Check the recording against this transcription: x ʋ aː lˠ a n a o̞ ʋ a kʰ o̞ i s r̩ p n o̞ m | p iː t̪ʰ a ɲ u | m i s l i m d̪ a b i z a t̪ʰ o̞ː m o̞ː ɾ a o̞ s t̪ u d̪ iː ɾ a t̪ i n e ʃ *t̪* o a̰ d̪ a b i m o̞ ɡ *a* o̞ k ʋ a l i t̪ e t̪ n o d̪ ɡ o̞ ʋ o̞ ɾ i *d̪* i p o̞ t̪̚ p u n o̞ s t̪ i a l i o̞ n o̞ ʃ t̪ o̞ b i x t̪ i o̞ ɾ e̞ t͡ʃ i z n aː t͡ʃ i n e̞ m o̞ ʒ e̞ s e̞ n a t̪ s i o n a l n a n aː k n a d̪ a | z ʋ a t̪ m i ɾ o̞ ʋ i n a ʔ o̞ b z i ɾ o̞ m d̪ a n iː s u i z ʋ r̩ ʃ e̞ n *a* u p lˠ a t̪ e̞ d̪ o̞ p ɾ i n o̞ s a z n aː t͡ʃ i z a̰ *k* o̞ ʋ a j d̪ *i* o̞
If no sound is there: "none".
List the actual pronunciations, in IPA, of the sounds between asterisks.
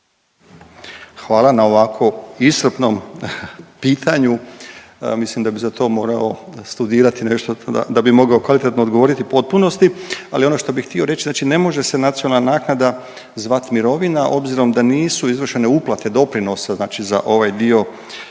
t̪, a, t̪, e, ʔ, i

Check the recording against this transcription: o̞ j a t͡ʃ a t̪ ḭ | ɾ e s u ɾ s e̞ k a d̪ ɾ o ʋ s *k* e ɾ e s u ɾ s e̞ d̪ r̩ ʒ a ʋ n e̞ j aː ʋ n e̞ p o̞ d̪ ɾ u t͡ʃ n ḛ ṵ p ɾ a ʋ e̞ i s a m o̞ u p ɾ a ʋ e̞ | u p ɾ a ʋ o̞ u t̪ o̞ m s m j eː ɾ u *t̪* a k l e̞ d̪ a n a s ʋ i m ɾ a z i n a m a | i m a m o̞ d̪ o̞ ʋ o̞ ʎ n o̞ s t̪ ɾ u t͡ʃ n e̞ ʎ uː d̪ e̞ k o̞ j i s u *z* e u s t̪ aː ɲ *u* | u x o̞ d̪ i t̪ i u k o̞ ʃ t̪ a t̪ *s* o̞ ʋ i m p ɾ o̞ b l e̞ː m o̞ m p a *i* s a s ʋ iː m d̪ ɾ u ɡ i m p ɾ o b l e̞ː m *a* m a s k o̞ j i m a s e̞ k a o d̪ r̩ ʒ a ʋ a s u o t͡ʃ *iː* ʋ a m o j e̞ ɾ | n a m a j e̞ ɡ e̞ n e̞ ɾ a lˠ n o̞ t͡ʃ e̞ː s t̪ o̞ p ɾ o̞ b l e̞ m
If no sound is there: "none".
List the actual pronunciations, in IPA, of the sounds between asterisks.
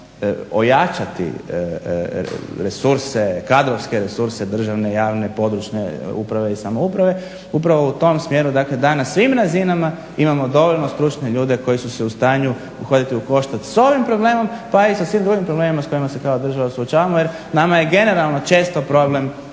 k, d̪, s, u, s, i, i, aː

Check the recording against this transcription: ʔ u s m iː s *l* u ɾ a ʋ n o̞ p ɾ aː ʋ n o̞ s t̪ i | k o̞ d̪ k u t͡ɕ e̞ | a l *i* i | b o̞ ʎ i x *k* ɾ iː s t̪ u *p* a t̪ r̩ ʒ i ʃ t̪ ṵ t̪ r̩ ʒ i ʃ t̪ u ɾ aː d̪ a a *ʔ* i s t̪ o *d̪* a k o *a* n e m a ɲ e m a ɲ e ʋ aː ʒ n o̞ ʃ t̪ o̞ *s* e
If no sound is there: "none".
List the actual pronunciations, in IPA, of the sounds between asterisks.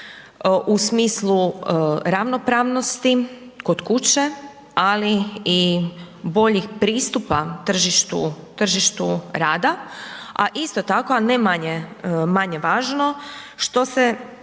l, i, p, p, ʔ, t̪, a, s

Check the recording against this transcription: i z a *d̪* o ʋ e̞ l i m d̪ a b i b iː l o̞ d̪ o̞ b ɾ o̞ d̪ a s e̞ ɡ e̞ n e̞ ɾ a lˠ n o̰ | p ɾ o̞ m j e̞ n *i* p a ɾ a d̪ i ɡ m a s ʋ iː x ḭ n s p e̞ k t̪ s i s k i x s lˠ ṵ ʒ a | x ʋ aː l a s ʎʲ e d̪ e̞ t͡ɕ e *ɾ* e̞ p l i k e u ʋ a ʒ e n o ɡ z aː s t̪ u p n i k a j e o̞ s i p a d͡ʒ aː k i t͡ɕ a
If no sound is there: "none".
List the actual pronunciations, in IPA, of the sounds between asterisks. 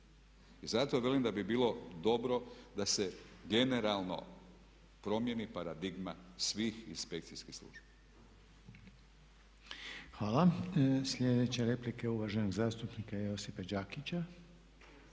t̪, i, ɾ

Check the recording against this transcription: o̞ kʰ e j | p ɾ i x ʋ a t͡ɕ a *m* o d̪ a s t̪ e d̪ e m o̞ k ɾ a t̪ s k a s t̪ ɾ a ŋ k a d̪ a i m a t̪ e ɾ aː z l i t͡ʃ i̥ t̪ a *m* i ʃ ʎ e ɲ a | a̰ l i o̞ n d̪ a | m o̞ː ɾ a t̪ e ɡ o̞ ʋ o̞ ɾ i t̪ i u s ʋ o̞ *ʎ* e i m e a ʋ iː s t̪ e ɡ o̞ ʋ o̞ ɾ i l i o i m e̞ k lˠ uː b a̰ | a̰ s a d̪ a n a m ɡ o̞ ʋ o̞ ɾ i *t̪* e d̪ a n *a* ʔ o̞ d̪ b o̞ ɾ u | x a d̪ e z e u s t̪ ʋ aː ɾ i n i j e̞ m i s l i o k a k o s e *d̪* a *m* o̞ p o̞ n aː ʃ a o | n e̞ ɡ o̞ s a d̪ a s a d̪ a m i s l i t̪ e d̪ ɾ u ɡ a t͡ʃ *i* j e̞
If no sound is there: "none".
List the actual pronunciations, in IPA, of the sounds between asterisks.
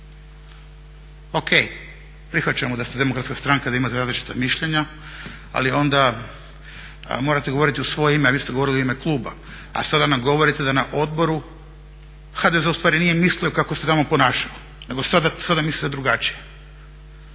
m, m, j, t̪, a, t̪, m, i

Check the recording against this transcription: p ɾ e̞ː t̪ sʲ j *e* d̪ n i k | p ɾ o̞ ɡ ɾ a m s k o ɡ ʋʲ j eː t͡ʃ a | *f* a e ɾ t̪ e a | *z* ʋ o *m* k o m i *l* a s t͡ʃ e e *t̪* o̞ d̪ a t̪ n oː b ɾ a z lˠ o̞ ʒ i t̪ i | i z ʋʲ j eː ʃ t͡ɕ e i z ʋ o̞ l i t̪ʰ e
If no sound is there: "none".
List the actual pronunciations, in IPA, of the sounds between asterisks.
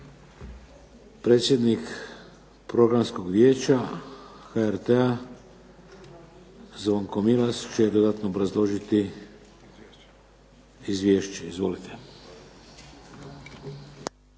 e, x, z, ŋ, l, d̪

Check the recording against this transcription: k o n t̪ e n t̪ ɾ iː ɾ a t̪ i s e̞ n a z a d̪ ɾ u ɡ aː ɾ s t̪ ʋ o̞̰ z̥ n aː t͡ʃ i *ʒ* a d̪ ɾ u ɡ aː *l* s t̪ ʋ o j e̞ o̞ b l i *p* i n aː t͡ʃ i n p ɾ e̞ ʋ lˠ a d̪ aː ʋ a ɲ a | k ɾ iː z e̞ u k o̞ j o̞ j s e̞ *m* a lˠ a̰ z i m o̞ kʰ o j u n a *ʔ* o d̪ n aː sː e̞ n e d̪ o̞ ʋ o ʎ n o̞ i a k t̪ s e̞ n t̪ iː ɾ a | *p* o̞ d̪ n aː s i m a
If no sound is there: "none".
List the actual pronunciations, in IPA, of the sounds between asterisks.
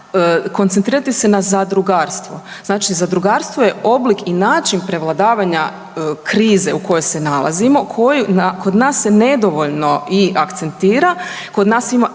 z, ɾ, k, n, k, k

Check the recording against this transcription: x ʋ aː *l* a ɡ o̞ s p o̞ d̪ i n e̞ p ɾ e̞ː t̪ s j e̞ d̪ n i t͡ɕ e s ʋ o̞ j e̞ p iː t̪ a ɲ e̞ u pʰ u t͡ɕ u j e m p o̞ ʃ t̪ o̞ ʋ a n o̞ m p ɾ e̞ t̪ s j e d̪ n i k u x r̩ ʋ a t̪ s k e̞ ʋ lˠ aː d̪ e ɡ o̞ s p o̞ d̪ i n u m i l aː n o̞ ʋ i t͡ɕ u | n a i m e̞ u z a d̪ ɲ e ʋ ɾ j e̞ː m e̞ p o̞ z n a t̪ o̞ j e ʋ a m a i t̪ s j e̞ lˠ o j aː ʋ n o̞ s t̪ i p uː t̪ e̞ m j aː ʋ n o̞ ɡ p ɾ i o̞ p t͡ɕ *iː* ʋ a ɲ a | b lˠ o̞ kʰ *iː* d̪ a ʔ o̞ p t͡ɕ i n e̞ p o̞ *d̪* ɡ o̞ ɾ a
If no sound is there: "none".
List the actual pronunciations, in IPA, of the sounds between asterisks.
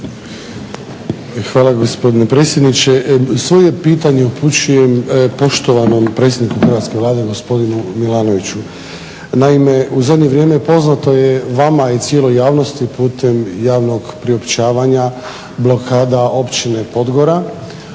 l, aː, aː, d̪

